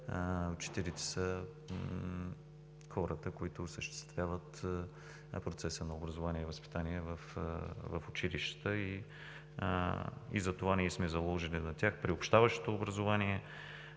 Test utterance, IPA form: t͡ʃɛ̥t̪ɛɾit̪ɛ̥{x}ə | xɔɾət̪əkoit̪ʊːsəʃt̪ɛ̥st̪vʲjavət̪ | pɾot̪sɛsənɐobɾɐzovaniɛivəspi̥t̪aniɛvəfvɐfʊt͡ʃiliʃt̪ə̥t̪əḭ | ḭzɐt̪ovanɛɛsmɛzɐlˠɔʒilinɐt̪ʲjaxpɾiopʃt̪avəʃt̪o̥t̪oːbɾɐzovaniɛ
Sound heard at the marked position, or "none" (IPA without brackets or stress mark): s